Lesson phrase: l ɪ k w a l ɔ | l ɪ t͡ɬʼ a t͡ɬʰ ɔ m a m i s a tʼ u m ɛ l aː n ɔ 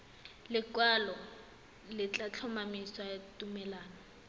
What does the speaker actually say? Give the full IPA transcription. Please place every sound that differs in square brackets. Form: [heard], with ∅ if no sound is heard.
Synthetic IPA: l ɪ k w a l ɔ | l ɪ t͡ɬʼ a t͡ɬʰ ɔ m a m i s a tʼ u m ɛ l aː n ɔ